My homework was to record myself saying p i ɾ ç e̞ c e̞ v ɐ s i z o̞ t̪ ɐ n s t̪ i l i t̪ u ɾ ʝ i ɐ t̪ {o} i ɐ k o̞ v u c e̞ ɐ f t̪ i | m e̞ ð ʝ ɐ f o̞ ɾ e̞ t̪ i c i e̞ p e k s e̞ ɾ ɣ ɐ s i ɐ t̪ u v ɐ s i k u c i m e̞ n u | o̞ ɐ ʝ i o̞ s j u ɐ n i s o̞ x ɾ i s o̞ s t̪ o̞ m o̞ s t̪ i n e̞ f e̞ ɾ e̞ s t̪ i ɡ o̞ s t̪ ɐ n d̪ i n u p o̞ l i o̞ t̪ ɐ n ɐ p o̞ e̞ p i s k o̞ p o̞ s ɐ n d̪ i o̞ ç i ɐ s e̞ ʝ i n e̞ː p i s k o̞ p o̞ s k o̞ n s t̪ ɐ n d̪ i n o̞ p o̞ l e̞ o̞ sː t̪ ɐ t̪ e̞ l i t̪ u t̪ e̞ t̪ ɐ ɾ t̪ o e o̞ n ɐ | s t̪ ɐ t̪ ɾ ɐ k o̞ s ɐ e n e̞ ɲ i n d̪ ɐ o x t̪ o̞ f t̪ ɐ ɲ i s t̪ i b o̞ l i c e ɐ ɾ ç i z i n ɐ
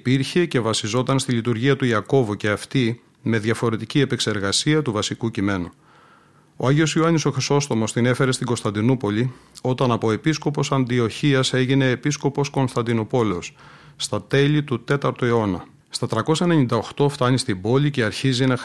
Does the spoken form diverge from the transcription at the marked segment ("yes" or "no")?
yes